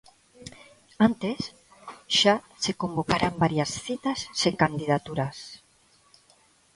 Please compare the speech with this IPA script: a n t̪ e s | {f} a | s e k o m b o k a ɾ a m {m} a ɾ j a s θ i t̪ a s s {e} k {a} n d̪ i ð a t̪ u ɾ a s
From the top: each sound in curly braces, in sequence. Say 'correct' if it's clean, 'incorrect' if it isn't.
incorrect: ʃ, incorrect: b, correct, correct

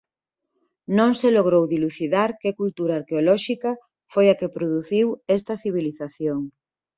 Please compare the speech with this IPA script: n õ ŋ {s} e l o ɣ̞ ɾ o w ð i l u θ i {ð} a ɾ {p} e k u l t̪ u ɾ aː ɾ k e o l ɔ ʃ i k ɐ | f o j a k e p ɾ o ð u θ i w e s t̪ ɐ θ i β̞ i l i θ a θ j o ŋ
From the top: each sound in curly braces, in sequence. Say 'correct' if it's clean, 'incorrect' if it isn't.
correct, correct, incorrect: k

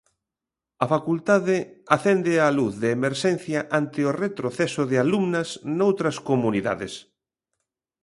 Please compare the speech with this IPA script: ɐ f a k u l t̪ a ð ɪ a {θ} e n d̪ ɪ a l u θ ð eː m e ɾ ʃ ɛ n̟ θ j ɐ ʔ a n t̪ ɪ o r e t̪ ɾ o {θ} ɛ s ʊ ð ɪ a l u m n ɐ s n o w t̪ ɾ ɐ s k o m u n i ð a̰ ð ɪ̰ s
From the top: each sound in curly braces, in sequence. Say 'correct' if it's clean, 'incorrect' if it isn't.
correct, correct

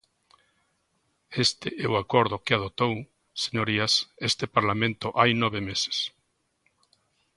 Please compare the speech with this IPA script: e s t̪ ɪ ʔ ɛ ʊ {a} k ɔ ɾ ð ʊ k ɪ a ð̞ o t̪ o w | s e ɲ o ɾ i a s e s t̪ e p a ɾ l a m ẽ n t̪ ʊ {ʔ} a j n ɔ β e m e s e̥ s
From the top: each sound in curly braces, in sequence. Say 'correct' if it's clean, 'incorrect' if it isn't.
correct, correct

